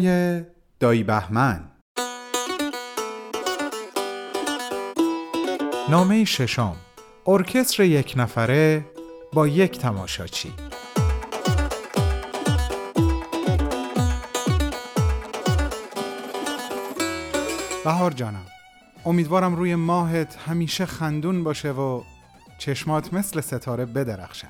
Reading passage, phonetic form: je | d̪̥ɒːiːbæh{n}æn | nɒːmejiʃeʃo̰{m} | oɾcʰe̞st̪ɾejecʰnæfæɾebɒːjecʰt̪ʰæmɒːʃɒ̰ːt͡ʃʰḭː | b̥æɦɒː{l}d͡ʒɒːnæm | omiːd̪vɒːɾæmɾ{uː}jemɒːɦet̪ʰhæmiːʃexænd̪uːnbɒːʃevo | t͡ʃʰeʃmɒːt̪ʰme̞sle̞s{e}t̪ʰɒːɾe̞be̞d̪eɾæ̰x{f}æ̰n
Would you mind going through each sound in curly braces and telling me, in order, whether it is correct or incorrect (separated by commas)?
incorrect, correct, incorrect, correct, correct, incorrect